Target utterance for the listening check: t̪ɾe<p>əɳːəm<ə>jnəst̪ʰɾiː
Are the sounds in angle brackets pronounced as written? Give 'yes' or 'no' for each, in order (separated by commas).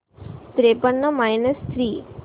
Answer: yes, no